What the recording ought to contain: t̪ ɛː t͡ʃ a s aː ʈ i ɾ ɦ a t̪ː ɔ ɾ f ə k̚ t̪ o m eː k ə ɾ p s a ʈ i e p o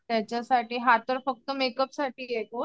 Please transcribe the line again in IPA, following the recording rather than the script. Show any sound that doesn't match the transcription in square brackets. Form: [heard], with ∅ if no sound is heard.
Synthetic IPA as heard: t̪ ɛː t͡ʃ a s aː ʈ i [∅] ɦ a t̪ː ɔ ɾ f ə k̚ t̪ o m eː k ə [∅] p s a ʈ i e [k] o